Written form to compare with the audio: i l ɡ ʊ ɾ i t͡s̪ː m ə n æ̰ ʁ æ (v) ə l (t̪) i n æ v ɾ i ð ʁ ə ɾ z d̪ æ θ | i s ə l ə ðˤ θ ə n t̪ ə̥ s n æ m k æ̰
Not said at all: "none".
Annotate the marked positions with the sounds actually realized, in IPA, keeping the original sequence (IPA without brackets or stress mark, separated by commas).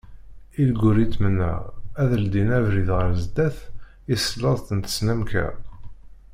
ð, d̪